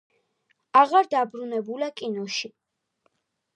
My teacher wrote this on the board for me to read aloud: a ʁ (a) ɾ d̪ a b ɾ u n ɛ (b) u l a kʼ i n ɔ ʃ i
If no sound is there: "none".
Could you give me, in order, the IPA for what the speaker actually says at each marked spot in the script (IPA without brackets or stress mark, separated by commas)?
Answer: a, b